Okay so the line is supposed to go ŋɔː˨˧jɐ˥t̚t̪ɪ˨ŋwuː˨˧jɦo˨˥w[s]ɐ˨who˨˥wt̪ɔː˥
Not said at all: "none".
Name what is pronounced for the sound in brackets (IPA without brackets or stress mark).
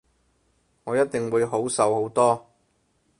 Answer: s